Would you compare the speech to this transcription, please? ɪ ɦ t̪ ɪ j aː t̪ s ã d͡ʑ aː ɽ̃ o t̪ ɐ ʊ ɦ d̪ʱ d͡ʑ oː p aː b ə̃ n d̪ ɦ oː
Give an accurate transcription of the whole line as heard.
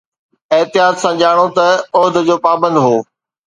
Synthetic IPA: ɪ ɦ t̪ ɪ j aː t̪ s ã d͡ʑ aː ɽ̃ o t̪ ɐ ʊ ɦ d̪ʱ d͡ʑ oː p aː b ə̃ n d̪ ɦ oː